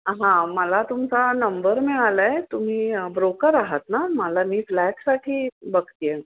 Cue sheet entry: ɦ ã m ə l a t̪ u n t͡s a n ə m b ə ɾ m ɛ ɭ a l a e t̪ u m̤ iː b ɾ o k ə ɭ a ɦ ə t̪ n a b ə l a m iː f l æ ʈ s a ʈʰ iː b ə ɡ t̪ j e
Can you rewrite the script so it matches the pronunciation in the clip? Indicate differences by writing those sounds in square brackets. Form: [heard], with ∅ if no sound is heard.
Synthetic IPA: ɦ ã m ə l a t̪ u [m] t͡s a n ə m b ə ɾ m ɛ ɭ a l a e t̪ u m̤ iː b ɾ o k ə [ɾ] a ɦ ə t̪ n a [m] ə l a m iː f l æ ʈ s a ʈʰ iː b ə ɡ t̪ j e